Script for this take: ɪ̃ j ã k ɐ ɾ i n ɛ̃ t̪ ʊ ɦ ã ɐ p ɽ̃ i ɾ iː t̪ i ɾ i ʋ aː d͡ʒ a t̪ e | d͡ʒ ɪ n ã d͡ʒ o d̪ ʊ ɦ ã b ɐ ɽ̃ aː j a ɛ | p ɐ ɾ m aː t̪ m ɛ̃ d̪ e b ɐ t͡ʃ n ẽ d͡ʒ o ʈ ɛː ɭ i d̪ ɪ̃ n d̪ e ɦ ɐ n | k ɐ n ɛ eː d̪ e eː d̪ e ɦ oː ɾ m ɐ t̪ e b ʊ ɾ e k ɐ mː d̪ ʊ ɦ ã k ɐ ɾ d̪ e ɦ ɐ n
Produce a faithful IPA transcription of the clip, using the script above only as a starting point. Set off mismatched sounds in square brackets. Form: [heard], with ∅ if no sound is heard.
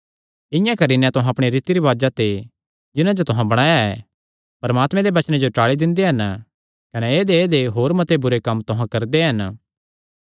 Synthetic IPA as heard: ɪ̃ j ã k ɐ ɾ i n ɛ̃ t̪ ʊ ɦ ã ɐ p ɽ̃ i ɾ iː t̪ i ɾ i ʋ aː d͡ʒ a t̪ e | d͡ʒ ɪ n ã d͡ʒ o [t̪] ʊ ɦ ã b ɐ ɽ̃ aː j a ɛ | p ɐ ɾ m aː t̪ m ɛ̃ d̪ e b ɐ t͡ʃ n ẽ d͡ʒ o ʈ [aː] ɭ i d̪ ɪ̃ n d̪ e ɦ ɐ n | k ɐ n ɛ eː d̪ e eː d̪ e ɦ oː ɾ m ɐ t̪ e b ʊ ɾ e k ɐ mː [t̪] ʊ ɦ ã k ɐ ɾ d̪ e ɦ ɐ n